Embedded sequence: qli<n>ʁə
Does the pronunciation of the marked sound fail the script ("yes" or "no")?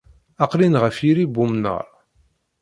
no